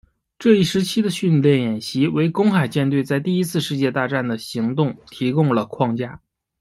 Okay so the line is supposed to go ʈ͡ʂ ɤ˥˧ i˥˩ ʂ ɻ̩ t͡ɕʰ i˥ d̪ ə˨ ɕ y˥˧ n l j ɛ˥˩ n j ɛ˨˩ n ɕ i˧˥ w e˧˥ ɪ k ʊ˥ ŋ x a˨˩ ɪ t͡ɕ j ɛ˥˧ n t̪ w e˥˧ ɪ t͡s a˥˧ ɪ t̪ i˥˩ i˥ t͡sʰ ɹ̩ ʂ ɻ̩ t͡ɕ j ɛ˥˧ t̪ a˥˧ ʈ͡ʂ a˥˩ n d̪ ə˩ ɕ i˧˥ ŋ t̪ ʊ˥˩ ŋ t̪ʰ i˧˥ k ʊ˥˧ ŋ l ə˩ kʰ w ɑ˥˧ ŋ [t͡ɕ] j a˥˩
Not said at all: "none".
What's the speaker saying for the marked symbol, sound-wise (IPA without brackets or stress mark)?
t͡ɕ